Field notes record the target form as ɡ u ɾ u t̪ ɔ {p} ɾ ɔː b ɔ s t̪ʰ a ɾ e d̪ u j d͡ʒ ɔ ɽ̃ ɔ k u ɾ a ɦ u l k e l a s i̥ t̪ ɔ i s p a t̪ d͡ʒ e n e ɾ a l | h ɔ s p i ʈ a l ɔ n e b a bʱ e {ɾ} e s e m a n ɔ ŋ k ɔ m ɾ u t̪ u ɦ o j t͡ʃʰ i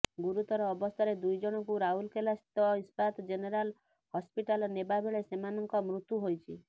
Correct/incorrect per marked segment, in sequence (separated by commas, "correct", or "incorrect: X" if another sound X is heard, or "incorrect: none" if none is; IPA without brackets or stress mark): incorrect: none, incorrect: ɭ